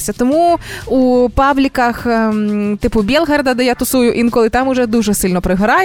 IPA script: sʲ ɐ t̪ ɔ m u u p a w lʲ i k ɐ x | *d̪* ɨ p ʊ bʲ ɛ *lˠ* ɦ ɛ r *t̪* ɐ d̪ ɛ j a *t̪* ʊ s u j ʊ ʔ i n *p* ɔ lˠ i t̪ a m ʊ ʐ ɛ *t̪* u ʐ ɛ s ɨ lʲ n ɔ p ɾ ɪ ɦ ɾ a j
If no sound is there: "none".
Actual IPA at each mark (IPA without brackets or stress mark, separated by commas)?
t̪, lˠ, d̪, t̪, k, d̪